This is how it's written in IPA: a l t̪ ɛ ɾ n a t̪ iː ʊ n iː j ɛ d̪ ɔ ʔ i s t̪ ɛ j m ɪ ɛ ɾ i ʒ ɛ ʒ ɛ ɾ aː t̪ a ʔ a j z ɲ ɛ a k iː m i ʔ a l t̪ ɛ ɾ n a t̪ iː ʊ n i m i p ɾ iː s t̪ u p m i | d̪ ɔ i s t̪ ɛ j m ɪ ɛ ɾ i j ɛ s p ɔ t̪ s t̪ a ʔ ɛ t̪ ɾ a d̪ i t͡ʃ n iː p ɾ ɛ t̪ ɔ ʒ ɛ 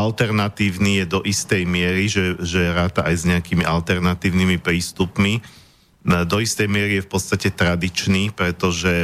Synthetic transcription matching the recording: a l t̪ ɛ ɾ n a t̪ iː ʊ n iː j ɛ d̪ ɔ ʔ i s t̪ ɛ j m ɪ ɛ ɾ i ʒ ɛ ʒ ɛ ɾ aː t̪ a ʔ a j z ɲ ɛ a k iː m i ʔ a l t̪ ɛ ɾ n a t̪ iː ʊ n i m i p ɾ iː s t̪ u p m i | d̪ ɔ i s t̪ ɛ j m ɪ ɛ ɾ i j ɛ f p ɔ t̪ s t̪ a c ɛ t̪ ɾ a d̪ i t͡ʃ n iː p ɾ ɛ t̪ ɔ ʒ ɛ